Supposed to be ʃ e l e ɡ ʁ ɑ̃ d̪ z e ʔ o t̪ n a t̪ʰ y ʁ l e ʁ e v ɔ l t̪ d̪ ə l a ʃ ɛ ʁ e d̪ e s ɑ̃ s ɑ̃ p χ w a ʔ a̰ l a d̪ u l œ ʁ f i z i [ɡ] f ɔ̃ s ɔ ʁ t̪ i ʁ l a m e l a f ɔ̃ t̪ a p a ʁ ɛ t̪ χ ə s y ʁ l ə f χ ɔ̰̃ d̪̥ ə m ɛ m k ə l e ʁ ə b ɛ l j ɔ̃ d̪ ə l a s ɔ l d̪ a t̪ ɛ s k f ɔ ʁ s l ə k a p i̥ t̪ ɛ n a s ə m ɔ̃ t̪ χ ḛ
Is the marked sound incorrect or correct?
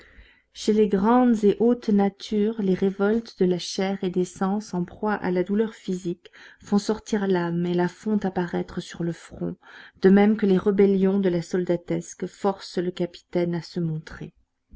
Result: incorrect